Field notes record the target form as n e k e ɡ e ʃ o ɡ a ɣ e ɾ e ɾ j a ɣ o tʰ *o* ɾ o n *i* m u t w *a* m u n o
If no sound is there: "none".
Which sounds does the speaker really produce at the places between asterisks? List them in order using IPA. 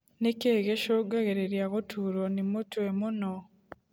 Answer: u, i, e

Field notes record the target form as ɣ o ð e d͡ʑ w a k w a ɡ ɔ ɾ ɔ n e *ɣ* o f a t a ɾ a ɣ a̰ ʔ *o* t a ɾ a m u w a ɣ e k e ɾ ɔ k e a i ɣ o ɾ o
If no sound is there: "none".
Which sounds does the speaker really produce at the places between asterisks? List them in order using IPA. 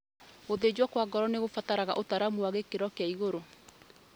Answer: ɣ, o

